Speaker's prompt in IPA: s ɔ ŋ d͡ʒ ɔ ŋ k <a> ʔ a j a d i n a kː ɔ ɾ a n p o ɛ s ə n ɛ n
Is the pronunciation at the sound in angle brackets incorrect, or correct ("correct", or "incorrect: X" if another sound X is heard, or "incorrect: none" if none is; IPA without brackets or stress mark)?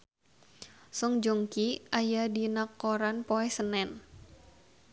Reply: incorrect: i